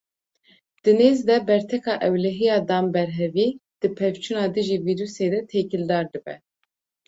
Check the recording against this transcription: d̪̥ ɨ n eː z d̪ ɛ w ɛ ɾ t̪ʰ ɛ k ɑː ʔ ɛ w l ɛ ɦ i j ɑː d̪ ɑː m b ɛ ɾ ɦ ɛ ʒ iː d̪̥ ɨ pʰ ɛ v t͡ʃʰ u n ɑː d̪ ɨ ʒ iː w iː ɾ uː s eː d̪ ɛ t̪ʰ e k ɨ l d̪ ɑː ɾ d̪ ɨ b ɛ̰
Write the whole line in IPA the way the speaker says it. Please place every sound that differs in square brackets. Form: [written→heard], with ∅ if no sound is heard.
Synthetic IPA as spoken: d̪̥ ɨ n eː z d̪ ɛ [w→b] ɛ ɾ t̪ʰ ɛ k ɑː ʔ ɛ w l ɛ ɦ i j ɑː d̪ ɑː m b ɛ ɾ ɦ ɛ [ʒ→v] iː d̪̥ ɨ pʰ ɛ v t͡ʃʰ u n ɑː d̪ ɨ ʒ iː [w→v] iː ɾ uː s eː d̪ ɛ t̪ʰ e k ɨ l d̪ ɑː ɾ d̪ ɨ b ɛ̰